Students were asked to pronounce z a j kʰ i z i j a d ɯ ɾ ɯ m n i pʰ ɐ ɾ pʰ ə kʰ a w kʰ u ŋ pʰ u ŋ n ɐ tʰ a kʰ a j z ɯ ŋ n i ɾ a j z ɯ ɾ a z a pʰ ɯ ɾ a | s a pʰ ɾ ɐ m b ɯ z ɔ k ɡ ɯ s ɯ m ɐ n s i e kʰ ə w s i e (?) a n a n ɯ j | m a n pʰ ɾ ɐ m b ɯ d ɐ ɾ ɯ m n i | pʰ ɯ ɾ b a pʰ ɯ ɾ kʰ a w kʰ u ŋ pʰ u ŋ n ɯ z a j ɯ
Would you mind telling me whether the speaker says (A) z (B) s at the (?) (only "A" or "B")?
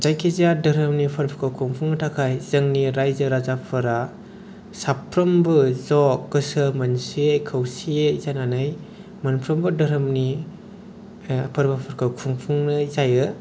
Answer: A